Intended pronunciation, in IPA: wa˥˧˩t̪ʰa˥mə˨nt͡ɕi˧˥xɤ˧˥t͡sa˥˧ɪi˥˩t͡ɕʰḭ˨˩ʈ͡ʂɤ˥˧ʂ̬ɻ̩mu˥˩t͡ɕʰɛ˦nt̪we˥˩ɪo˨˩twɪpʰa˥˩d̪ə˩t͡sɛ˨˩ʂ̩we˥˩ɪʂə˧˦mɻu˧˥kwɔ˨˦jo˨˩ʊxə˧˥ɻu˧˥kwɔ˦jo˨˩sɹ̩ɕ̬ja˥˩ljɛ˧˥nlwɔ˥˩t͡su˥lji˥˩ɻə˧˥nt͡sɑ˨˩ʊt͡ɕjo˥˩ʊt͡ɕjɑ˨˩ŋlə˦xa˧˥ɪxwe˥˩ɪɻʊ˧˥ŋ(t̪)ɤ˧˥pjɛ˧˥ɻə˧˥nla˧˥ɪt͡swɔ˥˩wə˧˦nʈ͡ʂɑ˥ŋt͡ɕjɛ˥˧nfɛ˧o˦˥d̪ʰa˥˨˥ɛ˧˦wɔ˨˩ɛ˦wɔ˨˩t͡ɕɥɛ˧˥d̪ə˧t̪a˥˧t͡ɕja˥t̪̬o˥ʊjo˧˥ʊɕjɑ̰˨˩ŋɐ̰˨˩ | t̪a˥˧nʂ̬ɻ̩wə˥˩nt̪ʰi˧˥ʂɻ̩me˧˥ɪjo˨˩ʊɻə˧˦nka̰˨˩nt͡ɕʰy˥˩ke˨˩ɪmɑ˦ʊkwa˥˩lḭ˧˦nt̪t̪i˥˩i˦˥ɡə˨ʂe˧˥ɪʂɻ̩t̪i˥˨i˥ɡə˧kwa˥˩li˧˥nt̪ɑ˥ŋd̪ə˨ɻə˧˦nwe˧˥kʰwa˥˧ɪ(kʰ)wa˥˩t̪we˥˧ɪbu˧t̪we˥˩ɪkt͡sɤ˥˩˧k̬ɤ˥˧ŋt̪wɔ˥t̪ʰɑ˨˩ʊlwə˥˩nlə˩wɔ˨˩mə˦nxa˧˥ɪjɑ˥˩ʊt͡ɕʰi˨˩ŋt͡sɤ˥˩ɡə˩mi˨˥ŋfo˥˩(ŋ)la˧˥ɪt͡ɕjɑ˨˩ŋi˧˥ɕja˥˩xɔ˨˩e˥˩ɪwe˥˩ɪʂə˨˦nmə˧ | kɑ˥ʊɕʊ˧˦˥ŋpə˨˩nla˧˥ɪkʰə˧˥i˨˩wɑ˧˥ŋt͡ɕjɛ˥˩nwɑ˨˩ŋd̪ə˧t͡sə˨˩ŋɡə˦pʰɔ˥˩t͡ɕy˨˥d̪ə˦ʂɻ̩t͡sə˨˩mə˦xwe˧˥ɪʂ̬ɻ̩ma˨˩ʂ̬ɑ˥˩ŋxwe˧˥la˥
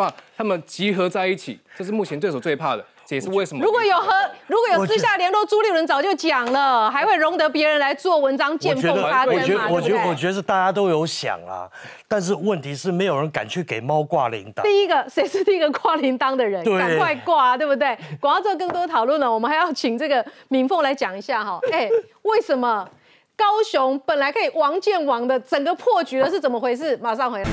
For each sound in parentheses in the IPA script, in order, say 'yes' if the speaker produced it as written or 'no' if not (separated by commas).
yes, no, yes